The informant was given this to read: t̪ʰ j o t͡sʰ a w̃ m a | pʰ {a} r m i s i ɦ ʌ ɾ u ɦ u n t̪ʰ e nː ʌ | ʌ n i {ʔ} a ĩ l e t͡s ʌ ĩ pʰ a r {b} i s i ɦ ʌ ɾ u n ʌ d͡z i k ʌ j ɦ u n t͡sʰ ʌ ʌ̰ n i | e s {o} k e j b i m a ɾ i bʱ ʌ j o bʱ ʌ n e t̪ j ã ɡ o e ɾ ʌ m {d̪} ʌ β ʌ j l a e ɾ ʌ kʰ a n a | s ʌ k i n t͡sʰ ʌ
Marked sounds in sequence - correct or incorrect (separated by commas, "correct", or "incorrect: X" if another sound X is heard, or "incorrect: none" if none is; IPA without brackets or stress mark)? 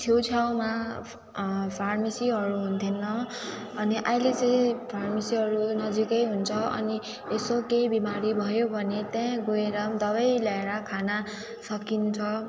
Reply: correct, correct, incorrect: m, correct, correct